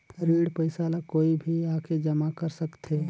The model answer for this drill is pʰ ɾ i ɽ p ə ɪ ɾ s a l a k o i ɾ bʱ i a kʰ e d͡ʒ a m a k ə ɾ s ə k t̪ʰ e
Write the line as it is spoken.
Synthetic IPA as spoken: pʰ ɾ i ɽ p ə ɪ s a l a k o i bʱ i a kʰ e d͡ʒ ə m a k ə ɾ s ə k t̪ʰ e